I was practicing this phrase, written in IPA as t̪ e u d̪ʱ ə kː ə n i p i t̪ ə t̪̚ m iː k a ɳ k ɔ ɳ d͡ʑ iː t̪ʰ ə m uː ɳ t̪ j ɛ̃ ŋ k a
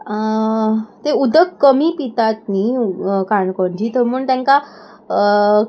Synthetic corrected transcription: t̪ e u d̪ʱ ə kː ə m i p i t̪ a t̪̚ n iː k a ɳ k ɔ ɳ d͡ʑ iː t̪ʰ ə m uː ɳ t̪ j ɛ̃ ŋ k a